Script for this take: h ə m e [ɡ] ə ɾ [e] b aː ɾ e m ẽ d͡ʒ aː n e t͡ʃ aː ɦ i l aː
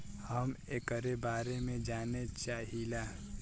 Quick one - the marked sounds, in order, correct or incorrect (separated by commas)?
incorrect, correct